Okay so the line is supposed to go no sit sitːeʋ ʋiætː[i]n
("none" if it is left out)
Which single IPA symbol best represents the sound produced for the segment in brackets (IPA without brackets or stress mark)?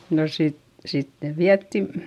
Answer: i